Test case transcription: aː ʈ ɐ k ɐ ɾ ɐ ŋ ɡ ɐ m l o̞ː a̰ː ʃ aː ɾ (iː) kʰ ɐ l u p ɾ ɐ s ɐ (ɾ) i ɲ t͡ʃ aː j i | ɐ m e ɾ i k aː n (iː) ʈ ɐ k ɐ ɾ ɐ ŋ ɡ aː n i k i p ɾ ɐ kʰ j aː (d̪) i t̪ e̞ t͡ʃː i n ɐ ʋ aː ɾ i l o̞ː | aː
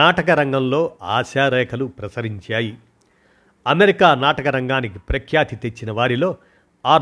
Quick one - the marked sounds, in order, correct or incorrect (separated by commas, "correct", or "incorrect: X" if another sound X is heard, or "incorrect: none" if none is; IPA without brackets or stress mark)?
incorrect: ɛː, correct, incorrect: aː, incorrect: t̪